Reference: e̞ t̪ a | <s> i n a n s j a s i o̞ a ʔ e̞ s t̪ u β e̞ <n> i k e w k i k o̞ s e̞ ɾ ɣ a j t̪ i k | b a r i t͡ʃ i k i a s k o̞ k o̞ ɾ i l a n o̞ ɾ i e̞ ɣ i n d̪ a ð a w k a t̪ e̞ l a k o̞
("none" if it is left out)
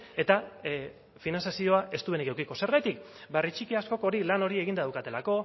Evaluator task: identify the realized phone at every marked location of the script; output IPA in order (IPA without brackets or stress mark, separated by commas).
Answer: f, n